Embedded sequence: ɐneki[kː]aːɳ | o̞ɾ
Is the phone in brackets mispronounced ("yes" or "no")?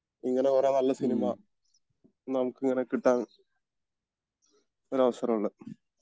yes